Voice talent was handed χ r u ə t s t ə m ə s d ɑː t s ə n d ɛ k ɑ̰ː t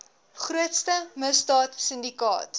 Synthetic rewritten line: χ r u ə t s t ə m ə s d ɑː t s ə n d i k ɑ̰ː t